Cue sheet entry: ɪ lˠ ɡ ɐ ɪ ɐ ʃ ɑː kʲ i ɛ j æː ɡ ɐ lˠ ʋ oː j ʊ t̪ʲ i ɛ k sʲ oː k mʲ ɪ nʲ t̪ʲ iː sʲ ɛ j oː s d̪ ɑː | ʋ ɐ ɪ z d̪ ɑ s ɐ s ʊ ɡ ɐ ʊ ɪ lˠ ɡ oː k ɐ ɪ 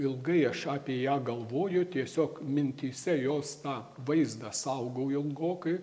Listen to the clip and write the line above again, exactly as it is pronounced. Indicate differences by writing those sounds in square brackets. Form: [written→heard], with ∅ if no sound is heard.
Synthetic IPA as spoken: ɪ lˠ ɡ ɐ ɪ ɐ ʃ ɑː [kʲ→pʲ] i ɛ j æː ɡ ɐ lˠ ʋ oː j ʊ t̪ʲ i ɛ [k→∅] sʲ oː k mʲ ɪ nʲ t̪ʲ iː sʲ ɛ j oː s [d̪→t̪] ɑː | ʋ ɐ ɪ z d̪ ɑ s ɐ [s→∅] ʊ ɡ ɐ ʊ ɪ lˠ ɡ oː k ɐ ɪ